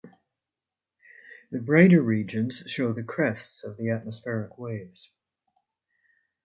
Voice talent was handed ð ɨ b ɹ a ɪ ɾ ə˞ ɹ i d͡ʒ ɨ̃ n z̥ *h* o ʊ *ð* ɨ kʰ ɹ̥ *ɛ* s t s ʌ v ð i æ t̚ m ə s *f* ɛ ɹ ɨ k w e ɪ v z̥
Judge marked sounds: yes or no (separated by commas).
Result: no, yes, yes, yes